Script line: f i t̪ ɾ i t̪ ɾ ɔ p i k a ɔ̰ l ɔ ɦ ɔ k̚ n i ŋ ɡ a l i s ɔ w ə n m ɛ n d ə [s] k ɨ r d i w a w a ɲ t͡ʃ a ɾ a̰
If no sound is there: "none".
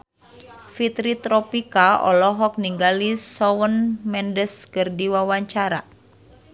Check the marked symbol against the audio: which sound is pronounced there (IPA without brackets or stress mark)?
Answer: s